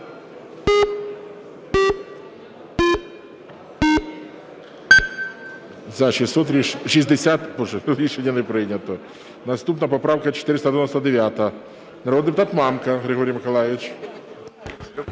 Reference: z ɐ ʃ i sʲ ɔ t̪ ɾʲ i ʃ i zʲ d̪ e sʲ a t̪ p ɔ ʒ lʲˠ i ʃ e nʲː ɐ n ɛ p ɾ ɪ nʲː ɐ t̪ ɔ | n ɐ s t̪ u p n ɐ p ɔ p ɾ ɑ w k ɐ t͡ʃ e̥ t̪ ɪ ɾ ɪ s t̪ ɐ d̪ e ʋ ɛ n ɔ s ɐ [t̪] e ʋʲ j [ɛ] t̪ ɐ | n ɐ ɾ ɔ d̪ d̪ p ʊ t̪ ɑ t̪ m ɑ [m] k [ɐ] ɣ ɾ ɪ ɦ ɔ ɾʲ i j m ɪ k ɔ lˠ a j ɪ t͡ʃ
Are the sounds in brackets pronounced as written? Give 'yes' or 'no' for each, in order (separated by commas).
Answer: no, no, yes, yes